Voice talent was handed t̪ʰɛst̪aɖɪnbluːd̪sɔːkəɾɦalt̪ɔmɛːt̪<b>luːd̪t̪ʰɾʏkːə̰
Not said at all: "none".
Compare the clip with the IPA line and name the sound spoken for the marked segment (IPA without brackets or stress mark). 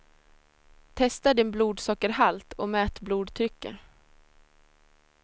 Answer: b